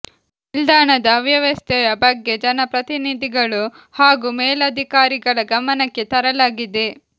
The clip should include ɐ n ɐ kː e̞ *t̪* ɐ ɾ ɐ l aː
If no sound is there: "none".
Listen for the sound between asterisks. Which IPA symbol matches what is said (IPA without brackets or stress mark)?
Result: t̪